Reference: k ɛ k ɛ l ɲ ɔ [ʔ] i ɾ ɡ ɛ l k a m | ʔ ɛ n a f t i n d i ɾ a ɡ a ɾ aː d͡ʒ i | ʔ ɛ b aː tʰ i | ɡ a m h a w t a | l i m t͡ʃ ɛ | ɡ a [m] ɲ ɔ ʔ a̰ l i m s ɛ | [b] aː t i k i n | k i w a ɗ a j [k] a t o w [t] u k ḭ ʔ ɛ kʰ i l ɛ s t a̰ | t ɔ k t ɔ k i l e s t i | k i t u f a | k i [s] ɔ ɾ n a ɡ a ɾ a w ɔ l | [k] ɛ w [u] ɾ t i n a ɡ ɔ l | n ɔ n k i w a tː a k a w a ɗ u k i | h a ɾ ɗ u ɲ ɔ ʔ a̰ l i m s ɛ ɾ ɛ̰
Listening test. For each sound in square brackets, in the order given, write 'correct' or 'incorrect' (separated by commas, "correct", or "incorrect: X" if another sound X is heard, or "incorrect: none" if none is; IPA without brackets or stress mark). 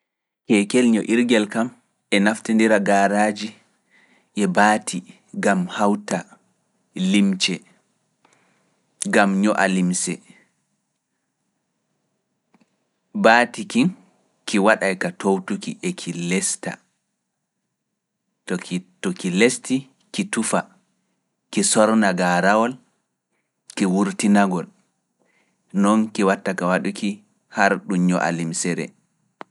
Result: correct, correct, correct, correct, correct, correct, correct, correct